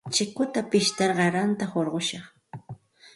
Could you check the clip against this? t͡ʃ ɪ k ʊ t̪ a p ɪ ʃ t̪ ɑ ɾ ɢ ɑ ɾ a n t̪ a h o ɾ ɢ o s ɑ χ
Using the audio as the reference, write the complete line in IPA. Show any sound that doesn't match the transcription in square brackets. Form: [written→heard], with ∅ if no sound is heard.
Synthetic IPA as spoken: t͡ʃ ɪ k ʊ t̪ a p ɪ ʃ t̪ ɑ ɾ ɢ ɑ ɾ a n t̪ a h o ɾ ɢ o [s→ʃ] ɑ χ